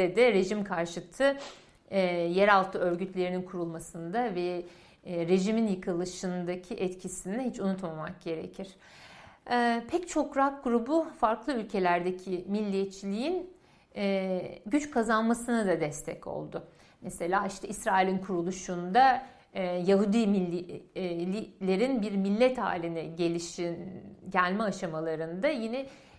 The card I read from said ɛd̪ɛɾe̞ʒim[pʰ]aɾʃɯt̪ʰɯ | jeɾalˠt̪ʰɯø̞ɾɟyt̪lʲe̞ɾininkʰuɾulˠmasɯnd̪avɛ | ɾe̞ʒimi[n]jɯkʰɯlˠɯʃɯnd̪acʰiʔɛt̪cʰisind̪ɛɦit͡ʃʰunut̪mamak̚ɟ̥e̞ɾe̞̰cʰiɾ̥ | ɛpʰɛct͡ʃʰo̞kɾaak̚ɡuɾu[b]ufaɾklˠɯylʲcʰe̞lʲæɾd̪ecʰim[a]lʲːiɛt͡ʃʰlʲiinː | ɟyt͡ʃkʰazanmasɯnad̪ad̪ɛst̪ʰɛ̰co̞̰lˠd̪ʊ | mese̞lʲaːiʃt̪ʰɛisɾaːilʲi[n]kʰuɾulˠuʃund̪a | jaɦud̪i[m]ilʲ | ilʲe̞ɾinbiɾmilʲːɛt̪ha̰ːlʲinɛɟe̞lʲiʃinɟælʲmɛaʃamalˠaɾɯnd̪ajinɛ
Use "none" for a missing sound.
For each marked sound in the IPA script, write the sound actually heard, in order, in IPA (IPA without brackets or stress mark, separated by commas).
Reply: kʰ, n, b, i, n, m